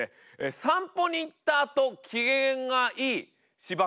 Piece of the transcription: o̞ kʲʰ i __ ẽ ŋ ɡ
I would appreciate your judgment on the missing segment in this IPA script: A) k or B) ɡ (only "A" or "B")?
B